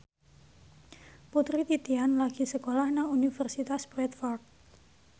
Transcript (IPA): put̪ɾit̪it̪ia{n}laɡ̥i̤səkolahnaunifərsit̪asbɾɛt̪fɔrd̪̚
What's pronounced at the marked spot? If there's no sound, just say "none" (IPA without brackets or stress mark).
n